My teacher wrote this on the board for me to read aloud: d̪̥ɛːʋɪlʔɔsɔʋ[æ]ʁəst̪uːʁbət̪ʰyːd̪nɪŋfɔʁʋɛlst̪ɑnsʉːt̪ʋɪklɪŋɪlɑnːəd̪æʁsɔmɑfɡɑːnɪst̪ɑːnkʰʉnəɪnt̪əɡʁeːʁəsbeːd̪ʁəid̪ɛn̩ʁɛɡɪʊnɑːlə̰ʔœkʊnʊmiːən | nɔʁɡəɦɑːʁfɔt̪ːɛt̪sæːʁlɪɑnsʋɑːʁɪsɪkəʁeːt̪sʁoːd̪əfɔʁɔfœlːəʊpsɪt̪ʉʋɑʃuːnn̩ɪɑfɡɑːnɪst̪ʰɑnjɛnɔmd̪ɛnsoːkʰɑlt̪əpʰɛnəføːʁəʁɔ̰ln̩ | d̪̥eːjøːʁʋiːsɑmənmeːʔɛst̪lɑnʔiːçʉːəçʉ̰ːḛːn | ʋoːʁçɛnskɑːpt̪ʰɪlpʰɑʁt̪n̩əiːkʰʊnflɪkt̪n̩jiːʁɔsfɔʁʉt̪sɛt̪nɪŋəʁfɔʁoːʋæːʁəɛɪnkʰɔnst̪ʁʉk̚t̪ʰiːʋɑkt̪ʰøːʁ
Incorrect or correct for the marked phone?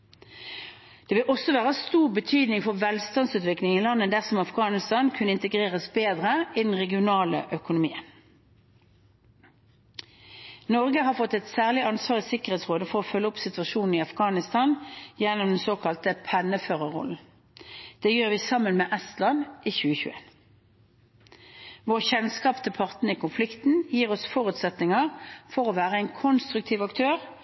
incorrect: æː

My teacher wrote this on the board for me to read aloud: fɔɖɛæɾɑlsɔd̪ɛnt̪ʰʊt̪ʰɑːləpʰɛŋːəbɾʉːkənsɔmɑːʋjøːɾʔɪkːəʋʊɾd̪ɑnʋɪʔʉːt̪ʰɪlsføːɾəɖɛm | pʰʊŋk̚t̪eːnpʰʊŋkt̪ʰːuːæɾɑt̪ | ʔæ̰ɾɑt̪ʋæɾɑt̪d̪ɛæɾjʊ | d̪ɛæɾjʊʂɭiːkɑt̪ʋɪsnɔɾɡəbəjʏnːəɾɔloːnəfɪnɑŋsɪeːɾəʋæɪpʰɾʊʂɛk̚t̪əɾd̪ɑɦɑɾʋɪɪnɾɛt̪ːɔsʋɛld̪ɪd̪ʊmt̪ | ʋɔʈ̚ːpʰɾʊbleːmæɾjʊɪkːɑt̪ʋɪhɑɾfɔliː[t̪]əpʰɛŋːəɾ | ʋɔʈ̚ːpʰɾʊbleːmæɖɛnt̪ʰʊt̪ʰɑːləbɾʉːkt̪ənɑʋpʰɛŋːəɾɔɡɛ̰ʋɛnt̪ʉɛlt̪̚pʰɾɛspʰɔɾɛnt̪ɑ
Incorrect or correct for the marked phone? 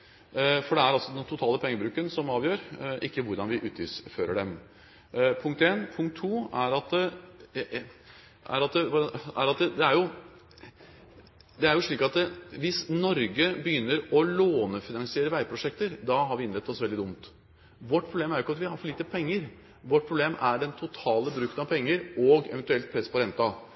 correct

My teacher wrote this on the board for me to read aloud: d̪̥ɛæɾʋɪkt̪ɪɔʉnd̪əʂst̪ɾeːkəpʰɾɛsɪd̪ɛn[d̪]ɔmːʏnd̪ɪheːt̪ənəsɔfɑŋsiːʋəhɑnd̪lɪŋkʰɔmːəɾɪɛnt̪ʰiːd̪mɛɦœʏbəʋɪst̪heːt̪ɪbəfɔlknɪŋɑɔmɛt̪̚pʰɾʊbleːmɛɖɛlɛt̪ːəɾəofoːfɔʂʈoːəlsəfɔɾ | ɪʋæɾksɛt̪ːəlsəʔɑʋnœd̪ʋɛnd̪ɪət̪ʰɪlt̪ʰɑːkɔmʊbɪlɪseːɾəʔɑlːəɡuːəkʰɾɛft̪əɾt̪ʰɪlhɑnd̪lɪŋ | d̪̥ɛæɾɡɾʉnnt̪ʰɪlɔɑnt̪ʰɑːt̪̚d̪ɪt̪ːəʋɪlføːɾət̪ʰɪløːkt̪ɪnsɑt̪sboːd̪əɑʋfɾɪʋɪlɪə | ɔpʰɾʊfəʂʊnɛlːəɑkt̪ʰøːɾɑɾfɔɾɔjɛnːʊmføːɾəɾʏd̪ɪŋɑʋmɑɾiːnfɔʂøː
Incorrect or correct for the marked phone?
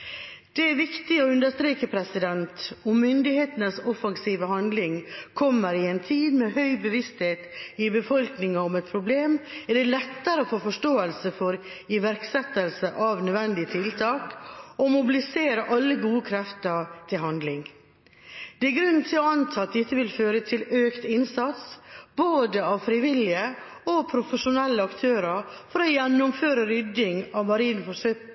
incorrect: t̪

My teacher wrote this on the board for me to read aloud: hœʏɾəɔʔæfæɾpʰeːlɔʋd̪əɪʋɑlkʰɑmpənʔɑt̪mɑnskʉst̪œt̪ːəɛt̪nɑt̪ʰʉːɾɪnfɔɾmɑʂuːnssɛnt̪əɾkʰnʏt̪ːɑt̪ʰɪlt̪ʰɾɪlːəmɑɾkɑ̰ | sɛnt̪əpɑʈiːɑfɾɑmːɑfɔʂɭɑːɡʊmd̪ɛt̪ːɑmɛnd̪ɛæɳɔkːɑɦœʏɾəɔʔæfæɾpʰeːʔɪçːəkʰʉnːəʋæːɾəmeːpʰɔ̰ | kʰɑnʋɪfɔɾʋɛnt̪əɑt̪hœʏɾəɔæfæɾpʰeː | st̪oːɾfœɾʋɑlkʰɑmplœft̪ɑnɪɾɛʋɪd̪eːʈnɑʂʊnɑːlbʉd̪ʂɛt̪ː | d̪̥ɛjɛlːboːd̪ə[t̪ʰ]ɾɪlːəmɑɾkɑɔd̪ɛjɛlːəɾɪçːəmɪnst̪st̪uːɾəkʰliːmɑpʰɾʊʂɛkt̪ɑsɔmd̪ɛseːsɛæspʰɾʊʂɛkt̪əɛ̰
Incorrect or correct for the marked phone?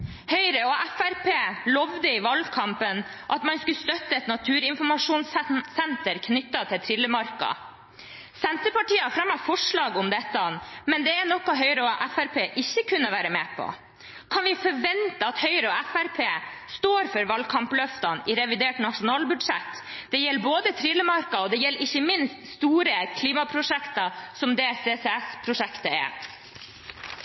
correct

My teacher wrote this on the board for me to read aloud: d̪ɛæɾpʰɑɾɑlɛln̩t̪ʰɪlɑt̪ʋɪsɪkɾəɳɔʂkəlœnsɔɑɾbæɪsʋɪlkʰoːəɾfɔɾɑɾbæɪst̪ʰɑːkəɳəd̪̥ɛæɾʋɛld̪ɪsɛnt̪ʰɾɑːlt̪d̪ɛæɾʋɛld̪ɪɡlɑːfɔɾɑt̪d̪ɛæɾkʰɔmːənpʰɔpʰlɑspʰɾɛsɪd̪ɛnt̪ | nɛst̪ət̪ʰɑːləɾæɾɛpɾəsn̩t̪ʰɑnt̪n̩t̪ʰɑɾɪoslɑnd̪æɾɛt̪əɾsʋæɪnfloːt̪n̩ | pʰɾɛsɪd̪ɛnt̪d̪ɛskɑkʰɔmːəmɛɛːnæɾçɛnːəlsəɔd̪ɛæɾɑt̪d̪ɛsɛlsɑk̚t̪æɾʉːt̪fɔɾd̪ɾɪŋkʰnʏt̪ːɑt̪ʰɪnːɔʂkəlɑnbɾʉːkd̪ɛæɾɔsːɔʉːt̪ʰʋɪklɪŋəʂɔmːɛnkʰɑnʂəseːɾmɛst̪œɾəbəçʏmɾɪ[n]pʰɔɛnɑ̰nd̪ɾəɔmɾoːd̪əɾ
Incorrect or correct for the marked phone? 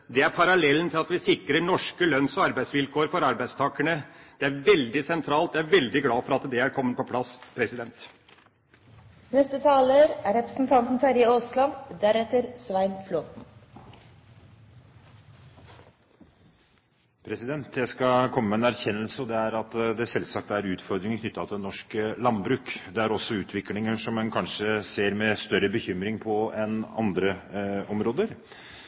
incorrect: ŋ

